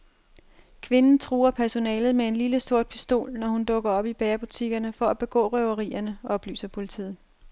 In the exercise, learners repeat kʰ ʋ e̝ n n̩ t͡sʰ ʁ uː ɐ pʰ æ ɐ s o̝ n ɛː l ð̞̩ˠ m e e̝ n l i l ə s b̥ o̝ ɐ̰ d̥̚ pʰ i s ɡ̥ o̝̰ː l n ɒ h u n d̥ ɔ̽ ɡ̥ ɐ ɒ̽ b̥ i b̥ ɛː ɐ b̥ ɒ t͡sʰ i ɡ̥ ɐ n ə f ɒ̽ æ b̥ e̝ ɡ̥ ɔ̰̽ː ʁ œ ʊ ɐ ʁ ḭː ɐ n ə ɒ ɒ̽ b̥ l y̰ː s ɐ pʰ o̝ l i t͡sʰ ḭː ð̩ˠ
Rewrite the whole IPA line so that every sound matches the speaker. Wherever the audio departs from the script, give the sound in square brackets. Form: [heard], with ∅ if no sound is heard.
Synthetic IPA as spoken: kʰ ʋ e̝ n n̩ t͡sʰ ʁ uː ɐ pʰ æ ɐ s o̝ n ɛː l ð̞̩ˠ m e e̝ n l i l ə s [d̥] o̝ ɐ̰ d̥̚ pʰ i s [d̥] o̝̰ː l n ɒ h u n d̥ ɔ̽ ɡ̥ ɐ ɒ̽ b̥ i b̥ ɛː ɐ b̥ [u] t͡sʰ i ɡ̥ ɐ n ə f ɒ̽ æ b̥ e̝ ɡ̥ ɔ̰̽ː ʁ œ ʊ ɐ ʁ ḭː ɐ n ə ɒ ɒ̽ b̥ l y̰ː s ɐ pʰ o̝ l i t͡sʰ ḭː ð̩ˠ